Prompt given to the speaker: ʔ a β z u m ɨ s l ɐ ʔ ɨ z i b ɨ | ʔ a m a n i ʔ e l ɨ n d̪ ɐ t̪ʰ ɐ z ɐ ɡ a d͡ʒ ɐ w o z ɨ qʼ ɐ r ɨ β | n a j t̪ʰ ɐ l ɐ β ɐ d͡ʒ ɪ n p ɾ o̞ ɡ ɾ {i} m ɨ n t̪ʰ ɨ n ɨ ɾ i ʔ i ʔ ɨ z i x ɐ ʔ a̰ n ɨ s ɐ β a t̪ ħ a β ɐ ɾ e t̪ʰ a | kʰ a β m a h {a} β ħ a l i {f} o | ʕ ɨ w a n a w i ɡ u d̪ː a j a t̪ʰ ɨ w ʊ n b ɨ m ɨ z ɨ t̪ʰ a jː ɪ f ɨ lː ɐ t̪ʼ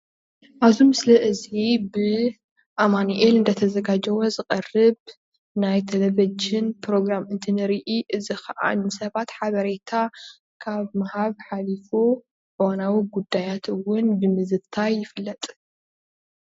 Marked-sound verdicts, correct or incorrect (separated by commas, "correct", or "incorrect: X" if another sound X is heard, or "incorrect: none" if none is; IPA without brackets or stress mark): incorrect: a, correct, correct